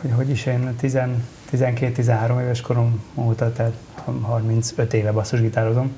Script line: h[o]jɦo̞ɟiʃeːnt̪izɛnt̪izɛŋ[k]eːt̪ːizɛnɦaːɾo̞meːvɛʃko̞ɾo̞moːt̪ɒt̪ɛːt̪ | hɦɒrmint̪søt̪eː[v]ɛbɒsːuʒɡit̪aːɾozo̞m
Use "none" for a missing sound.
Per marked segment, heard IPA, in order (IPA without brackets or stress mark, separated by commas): o, k, v